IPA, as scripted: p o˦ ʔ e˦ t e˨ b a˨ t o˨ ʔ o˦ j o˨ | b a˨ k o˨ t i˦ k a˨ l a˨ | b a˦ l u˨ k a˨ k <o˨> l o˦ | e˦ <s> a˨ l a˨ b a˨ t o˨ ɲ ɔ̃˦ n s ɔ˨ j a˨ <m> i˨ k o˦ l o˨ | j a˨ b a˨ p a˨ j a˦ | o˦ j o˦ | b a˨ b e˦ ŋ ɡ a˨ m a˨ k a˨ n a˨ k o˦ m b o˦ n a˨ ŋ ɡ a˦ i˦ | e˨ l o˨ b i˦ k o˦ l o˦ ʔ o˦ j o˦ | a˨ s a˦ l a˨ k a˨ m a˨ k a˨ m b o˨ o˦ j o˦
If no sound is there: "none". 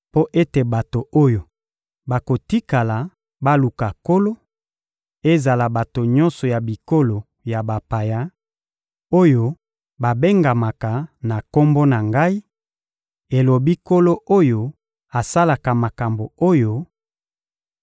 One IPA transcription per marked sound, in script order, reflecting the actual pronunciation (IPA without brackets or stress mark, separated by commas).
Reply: o˦, z, b